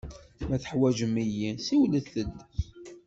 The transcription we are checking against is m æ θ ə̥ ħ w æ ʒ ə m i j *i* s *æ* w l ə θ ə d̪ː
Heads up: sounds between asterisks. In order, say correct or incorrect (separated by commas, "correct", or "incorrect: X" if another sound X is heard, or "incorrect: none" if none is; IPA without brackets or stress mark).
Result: correct, incorrect: i